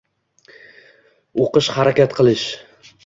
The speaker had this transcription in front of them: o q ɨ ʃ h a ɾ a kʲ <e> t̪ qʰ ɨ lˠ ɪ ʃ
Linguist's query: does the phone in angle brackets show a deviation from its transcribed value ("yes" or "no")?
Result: yes